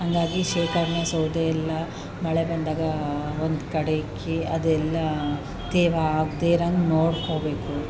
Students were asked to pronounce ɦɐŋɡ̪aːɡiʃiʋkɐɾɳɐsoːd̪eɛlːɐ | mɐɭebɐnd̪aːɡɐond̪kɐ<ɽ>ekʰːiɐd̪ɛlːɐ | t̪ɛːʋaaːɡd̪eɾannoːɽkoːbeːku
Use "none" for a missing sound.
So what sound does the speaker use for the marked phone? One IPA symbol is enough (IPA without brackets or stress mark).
ɽ